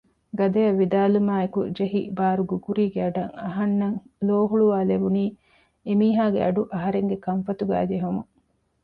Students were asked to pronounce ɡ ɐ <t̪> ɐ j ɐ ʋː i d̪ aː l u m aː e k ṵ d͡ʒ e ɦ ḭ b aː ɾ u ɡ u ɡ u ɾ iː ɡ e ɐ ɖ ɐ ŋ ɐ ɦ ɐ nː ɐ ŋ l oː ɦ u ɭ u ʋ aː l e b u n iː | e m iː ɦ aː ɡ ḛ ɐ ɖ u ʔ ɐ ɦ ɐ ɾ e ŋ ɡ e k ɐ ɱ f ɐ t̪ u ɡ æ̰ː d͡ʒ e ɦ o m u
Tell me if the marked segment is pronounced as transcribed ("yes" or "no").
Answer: no